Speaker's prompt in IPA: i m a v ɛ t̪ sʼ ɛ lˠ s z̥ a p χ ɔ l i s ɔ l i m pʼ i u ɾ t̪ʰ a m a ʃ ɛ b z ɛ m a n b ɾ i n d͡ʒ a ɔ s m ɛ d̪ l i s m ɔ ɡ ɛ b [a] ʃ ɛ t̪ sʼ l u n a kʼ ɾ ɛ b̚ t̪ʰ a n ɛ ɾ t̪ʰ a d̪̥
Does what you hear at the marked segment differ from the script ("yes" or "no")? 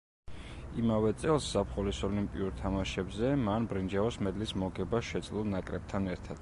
no